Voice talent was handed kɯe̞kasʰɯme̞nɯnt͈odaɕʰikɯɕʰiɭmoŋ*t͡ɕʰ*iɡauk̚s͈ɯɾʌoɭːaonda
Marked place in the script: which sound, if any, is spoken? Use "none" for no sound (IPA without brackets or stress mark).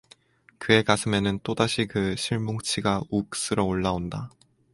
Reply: t͡ɕʰ